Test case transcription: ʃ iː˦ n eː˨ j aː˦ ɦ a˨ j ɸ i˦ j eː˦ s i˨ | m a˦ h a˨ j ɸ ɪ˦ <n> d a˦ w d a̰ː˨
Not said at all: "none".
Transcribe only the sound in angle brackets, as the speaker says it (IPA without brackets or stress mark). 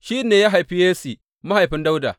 n